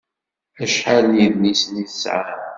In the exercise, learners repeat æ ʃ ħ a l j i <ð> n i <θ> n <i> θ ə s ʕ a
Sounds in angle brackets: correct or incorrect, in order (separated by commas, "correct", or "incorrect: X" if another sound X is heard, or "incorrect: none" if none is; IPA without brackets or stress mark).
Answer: correct, incorrect: s, correct